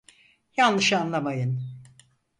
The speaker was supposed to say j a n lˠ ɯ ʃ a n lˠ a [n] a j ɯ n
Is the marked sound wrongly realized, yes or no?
yes